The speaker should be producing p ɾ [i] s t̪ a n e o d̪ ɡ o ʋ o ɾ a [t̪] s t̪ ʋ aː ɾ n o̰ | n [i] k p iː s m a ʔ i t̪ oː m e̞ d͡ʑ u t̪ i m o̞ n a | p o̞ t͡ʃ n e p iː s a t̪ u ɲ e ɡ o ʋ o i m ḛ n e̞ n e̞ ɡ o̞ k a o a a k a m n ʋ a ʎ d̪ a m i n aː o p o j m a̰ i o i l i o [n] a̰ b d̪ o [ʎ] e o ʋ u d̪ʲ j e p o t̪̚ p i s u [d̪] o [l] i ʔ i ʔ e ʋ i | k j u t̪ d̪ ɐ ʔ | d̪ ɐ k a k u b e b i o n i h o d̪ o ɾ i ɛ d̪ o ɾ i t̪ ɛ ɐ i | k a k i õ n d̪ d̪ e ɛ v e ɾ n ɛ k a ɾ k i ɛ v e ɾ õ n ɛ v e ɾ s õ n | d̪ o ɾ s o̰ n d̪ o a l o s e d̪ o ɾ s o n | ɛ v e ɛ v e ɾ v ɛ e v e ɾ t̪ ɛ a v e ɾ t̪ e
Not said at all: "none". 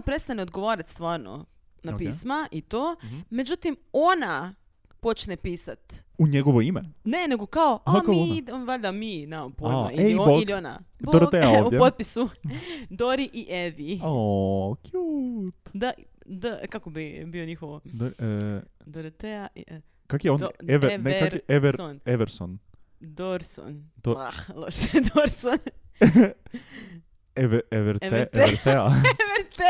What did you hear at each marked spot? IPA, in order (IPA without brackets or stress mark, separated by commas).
e, t̪, a, n, ɾ, d̪, ɾ